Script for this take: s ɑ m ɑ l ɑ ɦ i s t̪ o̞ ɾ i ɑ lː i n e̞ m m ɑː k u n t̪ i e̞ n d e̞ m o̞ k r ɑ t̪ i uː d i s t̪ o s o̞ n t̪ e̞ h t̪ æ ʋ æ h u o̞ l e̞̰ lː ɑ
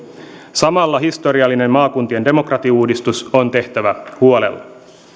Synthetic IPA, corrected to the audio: s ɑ m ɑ lː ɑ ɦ i s t̪ o̞ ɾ i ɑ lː i n e̞ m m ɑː k u n t̪ i e̞ n d e̞ m o̞ k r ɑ t̪ i uː d i s t̪ u s o̞ n t̪ e̞ h t̪ æ ʋ æ h u o̞ l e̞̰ lː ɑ